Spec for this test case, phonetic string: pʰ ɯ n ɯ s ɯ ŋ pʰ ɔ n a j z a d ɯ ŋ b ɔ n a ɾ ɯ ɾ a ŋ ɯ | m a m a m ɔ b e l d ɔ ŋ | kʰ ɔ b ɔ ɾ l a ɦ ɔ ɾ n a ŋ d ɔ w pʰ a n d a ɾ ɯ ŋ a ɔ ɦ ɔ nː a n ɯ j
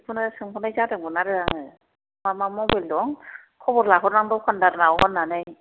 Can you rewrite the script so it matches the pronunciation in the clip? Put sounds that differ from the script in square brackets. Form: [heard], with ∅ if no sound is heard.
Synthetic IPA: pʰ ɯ n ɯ s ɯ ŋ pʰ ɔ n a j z a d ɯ ŋ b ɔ n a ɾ ɯ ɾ a ŋ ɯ | m a m a m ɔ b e l d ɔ ŋ | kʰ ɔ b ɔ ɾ l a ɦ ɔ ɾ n a ŋ d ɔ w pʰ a n d a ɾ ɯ [n] a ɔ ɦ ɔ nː a n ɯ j